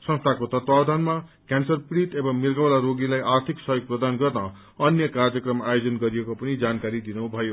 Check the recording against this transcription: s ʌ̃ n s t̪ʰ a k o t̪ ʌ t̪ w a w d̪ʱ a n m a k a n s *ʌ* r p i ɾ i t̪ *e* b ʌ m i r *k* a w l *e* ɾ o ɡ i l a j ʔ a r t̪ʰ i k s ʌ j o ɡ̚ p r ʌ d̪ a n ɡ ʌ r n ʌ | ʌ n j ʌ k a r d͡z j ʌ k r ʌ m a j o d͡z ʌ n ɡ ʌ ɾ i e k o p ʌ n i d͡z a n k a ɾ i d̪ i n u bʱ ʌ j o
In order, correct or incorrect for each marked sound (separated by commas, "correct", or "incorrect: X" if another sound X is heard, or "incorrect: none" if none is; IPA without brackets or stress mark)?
correct, correct, incorrect: ɡ, incorrect: a